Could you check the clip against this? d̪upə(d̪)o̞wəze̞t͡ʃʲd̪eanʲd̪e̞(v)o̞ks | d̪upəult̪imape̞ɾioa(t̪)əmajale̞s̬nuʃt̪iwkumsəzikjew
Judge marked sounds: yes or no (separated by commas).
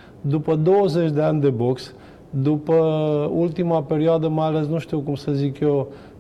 yes, no, no